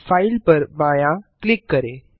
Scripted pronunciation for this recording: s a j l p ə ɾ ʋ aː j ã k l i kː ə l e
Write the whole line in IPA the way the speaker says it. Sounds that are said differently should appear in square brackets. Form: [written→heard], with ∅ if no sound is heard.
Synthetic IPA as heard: [s→f] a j l p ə ɾ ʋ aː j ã k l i kː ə [l→ɾ] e